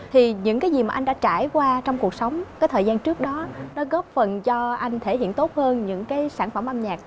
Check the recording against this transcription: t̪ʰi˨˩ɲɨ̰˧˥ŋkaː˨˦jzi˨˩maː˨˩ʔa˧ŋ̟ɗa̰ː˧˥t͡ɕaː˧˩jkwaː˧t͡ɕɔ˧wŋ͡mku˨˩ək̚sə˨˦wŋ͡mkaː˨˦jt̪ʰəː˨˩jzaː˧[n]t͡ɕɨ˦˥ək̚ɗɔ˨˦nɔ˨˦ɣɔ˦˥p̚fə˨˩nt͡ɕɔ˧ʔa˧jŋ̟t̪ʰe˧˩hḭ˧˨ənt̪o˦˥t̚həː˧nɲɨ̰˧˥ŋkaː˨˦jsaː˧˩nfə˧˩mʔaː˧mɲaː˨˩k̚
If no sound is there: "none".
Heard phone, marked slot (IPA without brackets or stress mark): n